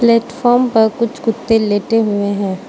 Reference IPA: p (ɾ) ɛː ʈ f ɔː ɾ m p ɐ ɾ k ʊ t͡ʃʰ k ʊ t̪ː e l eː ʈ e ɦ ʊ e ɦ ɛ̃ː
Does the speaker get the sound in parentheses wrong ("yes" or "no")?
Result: yes